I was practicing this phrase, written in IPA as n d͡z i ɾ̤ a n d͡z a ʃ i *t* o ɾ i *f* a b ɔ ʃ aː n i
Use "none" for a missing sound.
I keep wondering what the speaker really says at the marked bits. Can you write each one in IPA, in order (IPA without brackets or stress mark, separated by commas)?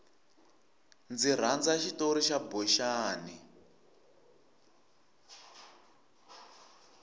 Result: t, ʃ